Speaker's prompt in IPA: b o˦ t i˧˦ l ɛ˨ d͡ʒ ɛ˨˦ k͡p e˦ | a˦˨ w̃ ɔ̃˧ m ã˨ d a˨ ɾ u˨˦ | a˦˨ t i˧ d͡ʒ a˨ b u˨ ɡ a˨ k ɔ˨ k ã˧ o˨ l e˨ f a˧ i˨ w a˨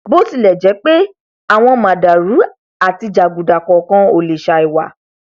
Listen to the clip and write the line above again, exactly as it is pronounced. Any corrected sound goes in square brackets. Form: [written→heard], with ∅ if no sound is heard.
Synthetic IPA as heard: b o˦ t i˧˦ l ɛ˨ d͡ʒ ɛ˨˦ k͡p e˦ | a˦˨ w̃ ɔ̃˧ m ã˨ d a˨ ɾ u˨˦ | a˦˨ t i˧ d͡ʒ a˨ [b→ɡ] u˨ [ɡ→d] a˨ k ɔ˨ k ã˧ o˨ l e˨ [f→ʃ] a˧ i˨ w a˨